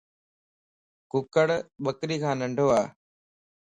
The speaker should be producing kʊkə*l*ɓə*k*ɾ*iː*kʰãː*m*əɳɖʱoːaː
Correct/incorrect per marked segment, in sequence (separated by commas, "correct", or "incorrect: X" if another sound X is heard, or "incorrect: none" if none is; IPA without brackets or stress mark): incorrect: ɽ, correct, correct, incorrect: n